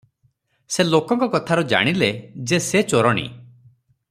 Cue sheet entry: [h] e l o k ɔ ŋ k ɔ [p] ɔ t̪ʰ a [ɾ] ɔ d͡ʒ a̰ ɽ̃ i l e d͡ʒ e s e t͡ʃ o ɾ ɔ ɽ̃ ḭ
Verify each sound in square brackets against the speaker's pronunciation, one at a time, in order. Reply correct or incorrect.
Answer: incorrect: s, incorrect: k, correct

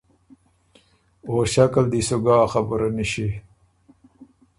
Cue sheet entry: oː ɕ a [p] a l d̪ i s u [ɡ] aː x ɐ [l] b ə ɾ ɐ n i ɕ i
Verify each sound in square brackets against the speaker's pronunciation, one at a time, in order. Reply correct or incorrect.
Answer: incorrect: k, correct, incorrect: none

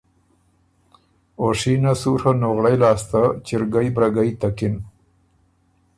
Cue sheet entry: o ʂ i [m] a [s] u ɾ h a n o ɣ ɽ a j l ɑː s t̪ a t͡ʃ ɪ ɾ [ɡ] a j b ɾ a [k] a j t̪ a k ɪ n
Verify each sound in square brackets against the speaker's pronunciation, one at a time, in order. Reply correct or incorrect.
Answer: incorrect: n, correct, correct, incorrect: ɡ

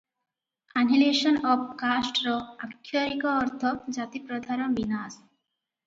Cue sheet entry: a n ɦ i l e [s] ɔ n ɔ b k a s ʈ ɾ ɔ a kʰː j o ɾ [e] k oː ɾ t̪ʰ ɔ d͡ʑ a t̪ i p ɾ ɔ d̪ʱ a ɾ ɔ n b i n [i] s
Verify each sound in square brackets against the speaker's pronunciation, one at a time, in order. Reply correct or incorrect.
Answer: incorrect: ʃ, incorrect: i, incorrect: a

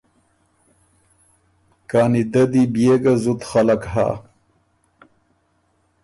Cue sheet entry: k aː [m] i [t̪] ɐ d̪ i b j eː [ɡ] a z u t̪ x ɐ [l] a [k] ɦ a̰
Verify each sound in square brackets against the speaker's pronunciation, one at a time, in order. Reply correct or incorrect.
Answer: incorrect: n, incorrect: d̪, correct, correct, correct

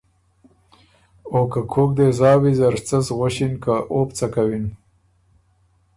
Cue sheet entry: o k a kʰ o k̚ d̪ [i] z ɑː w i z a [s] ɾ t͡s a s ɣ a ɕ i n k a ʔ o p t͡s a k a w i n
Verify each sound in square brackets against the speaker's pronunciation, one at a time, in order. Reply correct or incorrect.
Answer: incorrect: e, incorrect: none

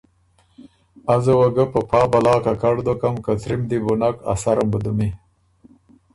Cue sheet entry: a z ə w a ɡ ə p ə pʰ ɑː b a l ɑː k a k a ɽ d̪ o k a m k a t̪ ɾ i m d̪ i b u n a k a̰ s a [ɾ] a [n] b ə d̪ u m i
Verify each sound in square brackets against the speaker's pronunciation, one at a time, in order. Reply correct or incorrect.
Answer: correct, incorrect: m

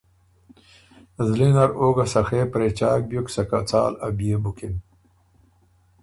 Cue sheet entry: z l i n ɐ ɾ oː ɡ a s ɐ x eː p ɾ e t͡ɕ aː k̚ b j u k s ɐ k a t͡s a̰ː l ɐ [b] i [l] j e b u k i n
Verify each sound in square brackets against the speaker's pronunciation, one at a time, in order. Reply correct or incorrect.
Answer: correct, incorrect: none

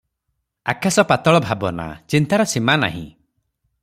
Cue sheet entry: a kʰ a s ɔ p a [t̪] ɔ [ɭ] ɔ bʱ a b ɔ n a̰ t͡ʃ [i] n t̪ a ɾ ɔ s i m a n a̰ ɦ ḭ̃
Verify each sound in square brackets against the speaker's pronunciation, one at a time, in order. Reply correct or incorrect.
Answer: correct, correct, correct

